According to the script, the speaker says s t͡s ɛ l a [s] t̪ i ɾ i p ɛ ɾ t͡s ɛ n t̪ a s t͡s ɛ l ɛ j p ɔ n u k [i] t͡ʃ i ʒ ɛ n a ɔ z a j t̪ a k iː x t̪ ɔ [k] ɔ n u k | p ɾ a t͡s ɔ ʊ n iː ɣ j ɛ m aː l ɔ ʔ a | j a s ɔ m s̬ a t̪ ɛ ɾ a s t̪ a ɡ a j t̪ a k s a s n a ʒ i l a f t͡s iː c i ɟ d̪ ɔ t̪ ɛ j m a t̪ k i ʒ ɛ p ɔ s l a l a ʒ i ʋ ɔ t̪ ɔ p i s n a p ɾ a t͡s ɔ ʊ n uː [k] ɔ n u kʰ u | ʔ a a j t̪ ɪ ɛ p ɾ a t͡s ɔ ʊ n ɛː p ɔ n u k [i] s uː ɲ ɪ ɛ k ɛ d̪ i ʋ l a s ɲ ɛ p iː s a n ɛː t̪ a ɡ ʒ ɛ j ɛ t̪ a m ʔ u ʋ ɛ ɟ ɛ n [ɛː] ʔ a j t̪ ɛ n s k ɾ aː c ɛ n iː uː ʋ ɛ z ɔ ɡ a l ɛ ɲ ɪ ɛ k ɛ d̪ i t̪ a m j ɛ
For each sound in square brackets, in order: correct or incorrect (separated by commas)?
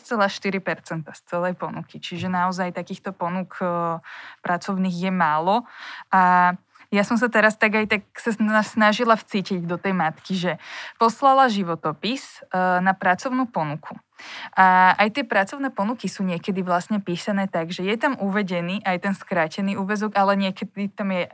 incorrect, correct, incorrect, incorrect, correct, incorrect